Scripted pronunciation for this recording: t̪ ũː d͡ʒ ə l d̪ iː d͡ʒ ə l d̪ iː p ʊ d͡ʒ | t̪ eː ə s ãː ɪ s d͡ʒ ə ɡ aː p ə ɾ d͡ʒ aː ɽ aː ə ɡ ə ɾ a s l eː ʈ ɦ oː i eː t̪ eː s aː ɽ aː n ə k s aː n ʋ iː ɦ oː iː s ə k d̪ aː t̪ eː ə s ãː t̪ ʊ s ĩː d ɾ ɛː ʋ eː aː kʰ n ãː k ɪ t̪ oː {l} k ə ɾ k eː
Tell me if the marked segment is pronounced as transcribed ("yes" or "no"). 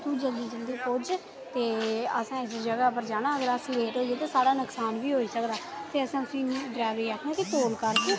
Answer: yes